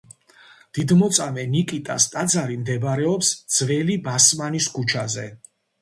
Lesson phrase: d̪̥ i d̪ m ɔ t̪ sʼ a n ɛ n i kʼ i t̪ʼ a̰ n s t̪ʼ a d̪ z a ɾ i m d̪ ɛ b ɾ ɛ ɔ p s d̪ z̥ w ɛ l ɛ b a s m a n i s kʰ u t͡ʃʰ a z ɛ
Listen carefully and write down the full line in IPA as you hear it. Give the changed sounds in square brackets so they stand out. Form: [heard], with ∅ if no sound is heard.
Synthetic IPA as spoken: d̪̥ i d̪ m ɔ t̪ sʼ a [m] ɛ n i kʼ i t̪ʼ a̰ [∅] s t̪ʼ a d̪ z a ɾ i m d̪ ɛ b ɾ ɛ ɔ p s d̪ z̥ [v] ɛ l [i] b a s m a n i s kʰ u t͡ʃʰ a z ɛ